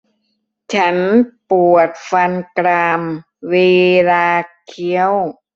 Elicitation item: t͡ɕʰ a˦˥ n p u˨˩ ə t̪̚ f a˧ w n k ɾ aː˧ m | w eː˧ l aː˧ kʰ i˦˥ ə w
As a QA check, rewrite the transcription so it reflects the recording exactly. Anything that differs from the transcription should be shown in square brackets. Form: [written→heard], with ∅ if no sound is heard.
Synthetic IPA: t͡ɕʰ a˦˥ n p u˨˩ ə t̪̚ f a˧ [w→∅] n k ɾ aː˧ m | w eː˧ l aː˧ kʰ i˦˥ ə w